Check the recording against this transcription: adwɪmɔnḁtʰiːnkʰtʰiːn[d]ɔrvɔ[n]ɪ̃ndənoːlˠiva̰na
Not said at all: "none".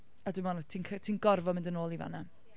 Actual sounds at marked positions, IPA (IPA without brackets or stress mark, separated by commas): ɡ, m